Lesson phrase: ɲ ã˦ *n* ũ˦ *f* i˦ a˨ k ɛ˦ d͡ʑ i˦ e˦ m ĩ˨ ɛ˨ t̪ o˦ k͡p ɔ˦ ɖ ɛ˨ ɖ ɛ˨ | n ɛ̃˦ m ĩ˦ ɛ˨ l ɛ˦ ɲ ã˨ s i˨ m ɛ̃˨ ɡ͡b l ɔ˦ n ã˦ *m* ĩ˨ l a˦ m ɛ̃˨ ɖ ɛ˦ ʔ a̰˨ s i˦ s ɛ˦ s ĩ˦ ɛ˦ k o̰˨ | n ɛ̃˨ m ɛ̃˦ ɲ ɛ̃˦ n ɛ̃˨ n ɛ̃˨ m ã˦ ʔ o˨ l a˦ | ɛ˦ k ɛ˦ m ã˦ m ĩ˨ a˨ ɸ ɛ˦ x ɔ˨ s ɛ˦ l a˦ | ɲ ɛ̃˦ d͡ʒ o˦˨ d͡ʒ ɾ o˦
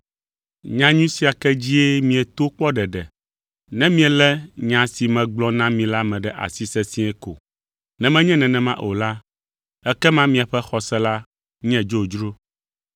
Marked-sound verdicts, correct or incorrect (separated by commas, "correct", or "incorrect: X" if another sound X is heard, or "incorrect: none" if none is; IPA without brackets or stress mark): incorrect: ɲ, incorrect: s, correct